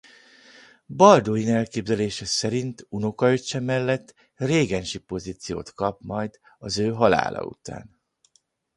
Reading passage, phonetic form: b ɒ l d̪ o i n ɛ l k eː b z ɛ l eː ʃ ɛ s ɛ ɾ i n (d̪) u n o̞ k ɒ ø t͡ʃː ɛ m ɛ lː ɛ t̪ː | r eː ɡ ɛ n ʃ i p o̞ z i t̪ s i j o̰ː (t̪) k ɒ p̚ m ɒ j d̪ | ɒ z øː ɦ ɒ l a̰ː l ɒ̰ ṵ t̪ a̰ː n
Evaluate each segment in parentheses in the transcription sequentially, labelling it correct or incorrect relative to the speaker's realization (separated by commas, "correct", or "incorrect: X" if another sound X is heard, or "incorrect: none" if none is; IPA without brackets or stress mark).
incorrect: t̪, correct